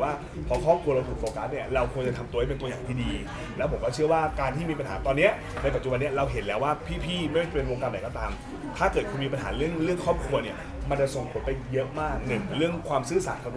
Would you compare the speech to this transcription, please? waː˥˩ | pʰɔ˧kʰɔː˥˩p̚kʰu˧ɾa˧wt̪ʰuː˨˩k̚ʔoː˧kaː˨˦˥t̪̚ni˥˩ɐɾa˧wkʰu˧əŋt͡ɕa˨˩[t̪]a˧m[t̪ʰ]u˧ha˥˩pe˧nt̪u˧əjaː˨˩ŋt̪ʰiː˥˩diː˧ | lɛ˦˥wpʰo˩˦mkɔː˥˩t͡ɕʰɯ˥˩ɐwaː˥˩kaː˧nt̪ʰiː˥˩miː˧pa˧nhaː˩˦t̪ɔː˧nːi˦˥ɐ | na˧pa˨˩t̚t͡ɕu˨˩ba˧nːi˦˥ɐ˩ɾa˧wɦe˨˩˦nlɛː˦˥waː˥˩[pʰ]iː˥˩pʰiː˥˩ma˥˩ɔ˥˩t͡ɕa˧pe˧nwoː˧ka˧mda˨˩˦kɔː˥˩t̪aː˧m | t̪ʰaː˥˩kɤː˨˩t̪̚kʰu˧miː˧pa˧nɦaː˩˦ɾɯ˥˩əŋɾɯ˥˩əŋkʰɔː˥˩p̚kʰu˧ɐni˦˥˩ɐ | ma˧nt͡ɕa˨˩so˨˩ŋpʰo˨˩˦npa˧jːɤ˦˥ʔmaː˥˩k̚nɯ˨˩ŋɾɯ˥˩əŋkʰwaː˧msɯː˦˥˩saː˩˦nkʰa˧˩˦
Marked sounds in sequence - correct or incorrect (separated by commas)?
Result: incorrect, incorrect, correct